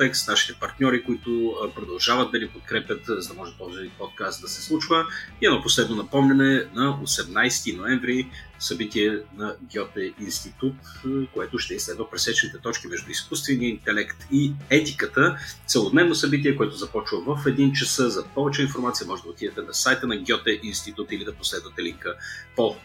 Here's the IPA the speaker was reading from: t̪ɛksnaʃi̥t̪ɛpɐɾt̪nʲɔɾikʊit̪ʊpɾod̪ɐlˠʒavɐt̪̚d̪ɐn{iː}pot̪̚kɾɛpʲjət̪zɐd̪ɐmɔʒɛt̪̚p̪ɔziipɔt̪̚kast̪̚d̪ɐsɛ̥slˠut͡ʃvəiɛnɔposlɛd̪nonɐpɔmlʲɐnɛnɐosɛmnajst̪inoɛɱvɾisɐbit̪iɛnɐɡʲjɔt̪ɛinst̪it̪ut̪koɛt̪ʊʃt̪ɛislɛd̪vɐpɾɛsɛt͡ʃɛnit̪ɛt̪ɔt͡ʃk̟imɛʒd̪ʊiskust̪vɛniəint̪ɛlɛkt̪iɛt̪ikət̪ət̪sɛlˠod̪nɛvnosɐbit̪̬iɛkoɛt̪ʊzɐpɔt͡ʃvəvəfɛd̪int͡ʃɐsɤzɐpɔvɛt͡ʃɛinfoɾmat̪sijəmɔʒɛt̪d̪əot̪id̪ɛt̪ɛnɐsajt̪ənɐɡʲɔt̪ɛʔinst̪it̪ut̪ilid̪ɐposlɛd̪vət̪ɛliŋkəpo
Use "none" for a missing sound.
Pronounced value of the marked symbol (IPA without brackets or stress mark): i